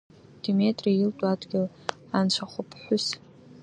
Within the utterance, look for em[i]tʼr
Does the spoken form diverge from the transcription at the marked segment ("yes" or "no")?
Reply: yes